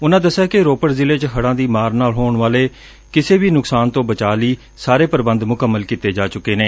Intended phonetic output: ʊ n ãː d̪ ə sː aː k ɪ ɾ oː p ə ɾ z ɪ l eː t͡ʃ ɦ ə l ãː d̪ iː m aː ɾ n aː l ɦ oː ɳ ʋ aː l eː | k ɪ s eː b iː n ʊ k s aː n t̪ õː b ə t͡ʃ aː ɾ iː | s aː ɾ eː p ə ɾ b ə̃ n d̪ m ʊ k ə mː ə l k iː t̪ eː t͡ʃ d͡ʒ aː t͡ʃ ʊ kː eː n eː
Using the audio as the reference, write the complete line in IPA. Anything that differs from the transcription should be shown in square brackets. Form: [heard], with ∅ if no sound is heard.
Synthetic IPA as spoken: ʊ n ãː d̪ ə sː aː k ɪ ɾ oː p ə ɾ z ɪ l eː t͡ʃ ɦ ə [ɽ] ãː d̪ iː m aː ɾ n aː l ɦ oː ɳ ʋ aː l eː | k ɪ s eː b iː n ʊ k s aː n t̪ õː b ə t͡ʃ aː [l] iː | s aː ɾ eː p ə ɾ b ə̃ n d̪ m ʊ k ə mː ə l k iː t̪ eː [∅] d͡ʒ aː t͡ʃ ʊ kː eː n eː